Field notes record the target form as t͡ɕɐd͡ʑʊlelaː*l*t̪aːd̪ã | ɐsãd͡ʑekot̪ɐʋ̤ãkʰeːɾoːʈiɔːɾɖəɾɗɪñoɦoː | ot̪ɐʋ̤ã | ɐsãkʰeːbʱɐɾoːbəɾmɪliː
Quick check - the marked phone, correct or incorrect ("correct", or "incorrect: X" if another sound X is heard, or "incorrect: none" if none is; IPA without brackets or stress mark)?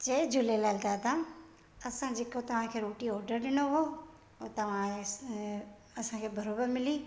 correct